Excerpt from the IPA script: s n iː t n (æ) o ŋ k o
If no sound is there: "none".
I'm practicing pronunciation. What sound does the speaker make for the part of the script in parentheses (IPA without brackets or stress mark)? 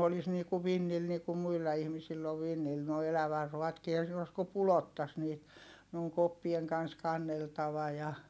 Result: e